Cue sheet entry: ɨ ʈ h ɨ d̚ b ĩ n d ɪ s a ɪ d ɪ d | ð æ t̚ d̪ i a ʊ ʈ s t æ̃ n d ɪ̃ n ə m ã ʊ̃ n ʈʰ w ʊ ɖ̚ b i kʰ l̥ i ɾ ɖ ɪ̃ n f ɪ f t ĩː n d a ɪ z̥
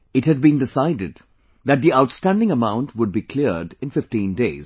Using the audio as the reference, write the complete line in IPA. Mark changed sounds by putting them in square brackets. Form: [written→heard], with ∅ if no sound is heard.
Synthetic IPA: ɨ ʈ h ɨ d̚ b ĩ n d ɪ s a ɪ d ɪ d | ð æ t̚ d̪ i a ʊ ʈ s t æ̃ n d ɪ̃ [n→ŋ] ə m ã ʊ̃ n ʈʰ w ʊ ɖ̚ b i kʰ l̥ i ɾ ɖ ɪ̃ n f ɪ f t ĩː n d [a→e] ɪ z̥